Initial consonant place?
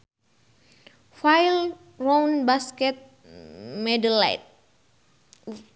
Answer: labial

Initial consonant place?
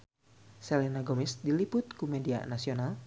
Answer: alveolar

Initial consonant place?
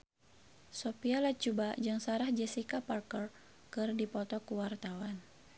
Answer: alveolar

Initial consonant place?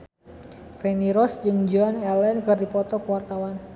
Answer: labial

